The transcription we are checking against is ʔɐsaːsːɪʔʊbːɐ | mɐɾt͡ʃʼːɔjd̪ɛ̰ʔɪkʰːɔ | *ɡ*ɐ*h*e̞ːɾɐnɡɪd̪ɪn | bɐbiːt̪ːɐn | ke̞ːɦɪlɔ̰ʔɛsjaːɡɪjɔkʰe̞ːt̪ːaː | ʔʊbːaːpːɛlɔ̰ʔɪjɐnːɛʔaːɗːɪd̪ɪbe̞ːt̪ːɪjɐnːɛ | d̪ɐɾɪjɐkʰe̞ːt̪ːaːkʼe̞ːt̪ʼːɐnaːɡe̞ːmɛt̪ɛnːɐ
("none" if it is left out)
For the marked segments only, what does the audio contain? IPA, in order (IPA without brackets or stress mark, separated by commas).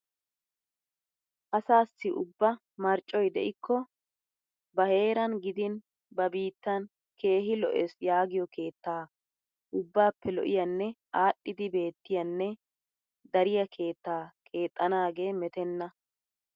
b, h